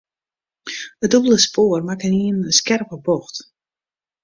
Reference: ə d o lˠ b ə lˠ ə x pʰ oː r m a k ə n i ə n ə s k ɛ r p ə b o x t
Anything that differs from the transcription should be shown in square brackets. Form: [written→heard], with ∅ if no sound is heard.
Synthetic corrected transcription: ə d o [lˠ→∅] b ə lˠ ə [x→s] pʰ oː r m a k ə n i ə n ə s k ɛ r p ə b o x t